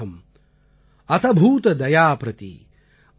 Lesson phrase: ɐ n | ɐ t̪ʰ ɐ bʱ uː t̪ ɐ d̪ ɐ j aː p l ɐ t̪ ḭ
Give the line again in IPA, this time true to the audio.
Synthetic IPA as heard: ɐ m | ɐ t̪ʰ ɐ bʱ uː t̪ ɐ d̪ ɐ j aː p ɾ ɐ t̪ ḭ